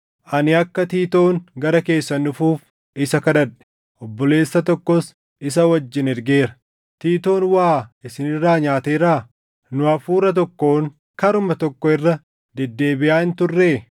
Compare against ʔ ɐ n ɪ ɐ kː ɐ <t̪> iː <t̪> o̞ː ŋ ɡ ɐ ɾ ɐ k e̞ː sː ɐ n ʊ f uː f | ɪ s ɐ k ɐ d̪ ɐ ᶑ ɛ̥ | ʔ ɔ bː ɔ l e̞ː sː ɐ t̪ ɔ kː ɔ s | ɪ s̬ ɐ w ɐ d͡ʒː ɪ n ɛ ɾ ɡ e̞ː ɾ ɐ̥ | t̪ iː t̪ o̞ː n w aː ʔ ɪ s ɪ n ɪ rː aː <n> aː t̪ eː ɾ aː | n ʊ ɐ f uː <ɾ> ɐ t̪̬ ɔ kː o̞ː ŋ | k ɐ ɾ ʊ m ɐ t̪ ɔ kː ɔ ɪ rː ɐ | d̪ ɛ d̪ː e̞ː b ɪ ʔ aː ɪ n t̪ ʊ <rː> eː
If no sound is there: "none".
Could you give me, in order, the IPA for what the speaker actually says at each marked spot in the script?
t̪, t̪, ɲ, ɾ, rː

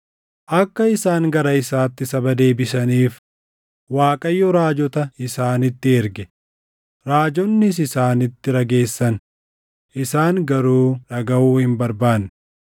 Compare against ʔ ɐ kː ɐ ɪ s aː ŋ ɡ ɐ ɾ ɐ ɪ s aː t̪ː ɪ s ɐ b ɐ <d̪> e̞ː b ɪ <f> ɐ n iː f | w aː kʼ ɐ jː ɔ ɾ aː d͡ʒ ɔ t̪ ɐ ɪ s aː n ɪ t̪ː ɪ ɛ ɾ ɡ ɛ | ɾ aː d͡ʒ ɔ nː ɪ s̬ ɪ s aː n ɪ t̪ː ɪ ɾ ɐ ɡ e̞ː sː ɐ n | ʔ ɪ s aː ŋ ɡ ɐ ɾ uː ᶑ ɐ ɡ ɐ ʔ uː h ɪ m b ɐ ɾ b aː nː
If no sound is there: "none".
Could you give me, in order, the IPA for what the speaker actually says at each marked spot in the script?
d̪, s

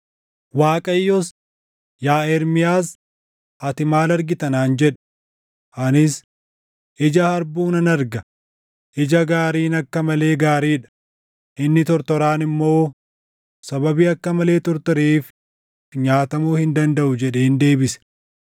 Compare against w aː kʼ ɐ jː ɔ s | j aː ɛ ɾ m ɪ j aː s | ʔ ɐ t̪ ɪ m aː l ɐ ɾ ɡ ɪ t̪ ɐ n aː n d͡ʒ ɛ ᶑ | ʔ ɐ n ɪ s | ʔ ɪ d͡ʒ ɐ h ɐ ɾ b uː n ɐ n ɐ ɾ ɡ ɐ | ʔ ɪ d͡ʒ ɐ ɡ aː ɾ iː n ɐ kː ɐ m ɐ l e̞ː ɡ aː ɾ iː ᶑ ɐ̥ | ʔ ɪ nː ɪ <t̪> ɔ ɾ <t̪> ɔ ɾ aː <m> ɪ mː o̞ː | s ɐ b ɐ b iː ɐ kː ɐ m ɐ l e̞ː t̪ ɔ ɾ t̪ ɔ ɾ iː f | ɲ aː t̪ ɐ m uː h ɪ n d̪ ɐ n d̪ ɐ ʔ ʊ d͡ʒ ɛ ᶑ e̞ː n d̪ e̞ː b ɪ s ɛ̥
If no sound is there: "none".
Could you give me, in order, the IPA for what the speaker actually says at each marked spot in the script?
t̪, t̪, n

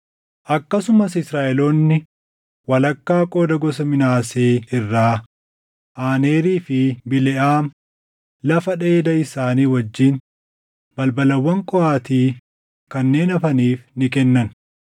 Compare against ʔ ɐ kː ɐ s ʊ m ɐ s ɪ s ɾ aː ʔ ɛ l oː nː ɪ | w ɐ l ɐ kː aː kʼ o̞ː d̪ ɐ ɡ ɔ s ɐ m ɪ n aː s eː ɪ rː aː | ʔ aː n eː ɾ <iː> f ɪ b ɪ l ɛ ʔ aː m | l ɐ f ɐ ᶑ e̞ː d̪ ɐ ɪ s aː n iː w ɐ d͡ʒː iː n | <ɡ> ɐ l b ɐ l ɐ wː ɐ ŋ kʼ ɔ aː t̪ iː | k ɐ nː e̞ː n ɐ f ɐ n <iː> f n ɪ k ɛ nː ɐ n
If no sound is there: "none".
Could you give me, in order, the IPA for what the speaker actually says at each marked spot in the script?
iː, b, iː

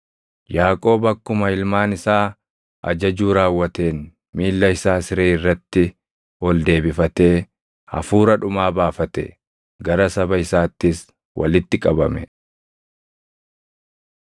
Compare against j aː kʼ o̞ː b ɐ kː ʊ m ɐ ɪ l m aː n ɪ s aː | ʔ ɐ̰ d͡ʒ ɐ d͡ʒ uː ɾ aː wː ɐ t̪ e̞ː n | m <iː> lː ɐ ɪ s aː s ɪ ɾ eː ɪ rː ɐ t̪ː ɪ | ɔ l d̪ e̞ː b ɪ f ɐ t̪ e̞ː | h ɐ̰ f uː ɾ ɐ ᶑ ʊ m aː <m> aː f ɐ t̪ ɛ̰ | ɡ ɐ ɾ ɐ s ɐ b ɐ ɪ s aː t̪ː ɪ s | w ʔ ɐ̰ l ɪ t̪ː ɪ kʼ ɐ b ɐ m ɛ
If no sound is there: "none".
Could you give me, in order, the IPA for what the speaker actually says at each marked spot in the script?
iː, b

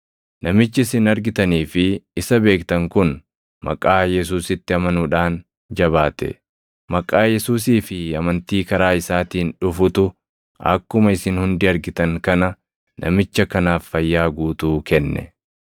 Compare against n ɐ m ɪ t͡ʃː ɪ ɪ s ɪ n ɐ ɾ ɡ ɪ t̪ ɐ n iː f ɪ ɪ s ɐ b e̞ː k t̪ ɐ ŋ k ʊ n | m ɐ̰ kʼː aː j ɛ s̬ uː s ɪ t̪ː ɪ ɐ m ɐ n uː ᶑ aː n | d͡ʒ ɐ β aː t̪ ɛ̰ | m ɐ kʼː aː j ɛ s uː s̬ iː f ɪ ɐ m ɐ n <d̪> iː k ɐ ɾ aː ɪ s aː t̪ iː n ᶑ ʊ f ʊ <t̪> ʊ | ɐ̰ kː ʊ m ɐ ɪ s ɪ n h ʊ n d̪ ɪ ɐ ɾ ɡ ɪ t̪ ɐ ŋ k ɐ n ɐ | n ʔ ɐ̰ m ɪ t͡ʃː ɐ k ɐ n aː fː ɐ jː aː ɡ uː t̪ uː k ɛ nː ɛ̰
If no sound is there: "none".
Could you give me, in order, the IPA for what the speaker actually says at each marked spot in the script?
t̪, t̪

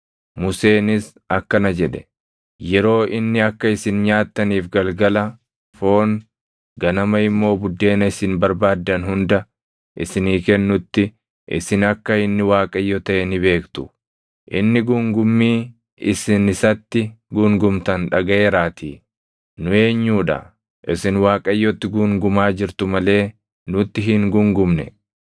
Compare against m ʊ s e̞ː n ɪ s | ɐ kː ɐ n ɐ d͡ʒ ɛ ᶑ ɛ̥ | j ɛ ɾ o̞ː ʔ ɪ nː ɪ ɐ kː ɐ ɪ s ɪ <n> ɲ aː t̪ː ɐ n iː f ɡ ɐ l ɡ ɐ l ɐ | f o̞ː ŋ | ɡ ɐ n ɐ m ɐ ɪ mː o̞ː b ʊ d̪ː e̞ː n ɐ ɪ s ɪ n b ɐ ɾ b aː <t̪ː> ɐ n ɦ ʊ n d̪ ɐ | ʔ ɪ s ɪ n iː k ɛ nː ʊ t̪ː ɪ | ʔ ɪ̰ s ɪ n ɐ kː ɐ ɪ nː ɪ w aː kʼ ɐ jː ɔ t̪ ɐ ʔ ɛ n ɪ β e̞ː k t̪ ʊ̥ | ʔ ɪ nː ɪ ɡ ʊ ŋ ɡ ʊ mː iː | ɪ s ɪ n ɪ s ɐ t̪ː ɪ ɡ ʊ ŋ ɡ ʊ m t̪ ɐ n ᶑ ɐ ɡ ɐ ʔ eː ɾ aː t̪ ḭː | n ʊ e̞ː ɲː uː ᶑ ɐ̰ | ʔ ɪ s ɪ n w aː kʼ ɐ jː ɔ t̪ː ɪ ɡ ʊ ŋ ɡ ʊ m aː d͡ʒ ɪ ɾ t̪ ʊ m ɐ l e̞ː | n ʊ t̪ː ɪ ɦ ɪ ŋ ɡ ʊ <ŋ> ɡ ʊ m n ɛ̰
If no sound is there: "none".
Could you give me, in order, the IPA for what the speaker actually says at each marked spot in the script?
n, d̪ː, ŋ

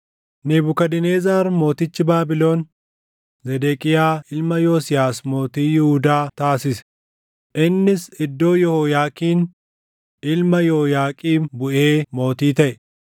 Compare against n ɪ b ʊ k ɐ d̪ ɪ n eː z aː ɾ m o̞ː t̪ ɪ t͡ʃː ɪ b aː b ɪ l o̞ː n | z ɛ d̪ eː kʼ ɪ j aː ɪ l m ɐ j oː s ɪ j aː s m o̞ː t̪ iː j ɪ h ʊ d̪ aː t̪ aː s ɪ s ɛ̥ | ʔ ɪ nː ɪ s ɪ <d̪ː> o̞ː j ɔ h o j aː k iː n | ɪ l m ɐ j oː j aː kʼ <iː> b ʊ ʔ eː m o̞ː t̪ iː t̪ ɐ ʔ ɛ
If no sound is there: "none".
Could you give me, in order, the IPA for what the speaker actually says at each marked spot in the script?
d̪ː, iː

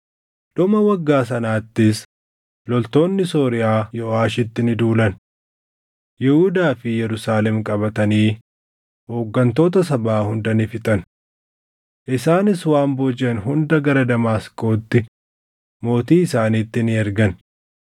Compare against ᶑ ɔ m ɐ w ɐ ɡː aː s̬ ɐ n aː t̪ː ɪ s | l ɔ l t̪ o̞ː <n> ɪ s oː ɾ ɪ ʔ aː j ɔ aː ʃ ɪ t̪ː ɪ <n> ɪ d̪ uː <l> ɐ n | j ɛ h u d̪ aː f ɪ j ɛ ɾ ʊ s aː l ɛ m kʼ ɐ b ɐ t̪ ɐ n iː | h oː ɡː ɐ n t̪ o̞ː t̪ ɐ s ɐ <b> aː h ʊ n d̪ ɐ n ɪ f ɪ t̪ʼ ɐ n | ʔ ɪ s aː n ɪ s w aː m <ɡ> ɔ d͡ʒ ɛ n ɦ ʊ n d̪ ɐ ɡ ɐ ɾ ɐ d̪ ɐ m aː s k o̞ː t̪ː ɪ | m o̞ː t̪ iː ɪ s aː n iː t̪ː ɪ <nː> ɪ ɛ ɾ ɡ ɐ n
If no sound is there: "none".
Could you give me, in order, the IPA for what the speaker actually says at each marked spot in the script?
nː, n, l, b, b, n

